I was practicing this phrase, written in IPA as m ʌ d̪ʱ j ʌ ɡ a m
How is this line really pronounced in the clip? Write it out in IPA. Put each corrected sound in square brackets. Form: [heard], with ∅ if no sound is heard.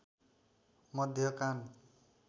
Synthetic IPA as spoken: m ʌ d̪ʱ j ʌ [k] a [n]